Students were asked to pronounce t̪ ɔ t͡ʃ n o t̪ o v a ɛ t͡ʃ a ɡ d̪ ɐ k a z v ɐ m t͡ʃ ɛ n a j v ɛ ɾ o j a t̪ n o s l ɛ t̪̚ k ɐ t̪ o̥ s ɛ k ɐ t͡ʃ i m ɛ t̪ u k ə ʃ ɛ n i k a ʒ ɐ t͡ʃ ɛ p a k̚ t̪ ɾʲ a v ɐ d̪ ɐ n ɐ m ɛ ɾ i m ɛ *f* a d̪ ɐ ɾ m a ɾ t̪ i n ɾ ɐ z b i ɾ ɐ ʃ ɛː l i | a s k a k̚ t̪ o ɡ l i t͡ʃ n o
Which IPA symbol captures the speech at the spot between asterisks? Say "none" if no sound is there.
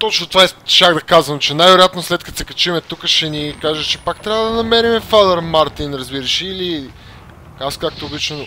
f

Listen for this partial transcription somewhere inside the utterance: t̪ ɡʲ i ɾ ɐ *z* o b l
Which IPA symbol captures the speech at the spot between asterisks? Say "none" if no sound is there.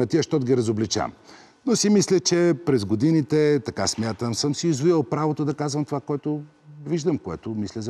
z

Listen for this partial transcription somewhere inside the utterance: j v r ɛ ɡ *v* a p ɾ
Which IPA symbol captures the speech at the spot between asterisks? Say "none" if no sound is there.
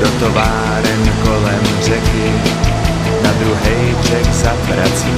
z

